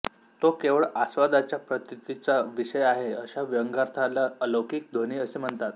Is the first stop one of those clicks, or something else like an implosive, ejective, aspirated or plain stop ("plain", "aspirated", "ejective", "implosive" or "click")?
plain